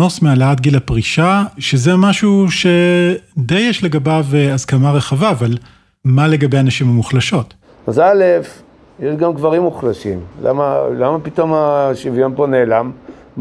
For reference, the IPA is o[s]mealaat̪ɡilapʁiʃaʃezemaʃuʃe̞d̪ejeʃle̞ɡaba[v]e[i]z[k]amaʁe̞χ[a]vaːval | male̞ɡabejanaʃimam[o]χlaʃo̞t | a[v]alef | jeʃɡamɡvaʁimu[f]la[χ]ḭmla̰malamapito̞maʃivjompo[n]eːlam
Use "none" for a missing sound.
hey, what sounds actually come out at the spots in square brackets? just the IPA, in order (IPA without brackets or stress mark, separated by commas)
s, v, a, k, a, u, z, χ, ʃ, n